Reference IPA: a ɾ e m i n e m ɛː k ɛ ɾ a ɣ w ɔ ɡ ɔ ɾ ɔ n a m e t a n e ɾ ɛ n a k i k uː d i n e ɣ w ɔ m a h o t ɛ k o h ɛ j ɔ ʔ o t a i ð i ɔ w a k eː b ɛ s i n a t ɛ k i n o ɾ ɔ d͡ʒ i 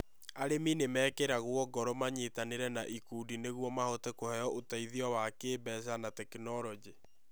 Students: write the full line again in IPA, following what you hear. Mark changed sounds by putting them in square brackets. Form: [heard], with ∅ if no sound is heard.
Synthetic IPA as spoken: a ɾ e m i n e m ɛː k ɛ ɾ a ɣ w ɔ ɡ ɔ ɾ ɔ [m] a [ɲ] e t a n e ɾ ɛ n a [ʔ] i k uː d i n e ɣ w ɔ m a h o t ɛ k o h ɛ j ɔ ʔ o t a i ð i ɔ w a k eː b ɛ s [a] n a t ɛ k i n [ɔ] ɾ ɔ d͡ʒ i